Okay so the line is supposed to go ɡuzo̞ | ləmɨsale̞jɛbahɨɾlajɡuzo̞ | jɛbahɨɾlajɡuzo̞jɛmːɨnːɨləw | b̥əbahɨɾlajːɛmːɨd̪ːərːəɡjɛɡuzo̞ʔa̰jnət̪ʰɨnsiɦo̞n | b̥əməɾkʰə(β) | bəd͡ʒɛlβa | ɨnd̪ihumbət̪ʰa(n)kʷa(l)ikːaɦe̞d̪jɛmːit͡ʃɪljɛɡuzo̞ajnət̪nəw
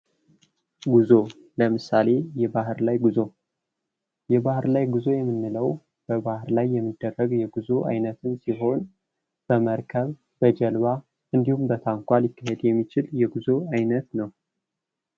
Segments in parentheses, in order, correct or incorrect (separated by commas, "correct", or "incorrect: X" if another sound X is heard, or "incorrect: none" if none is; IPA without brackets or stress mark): correct, incorrect: ŋ, correct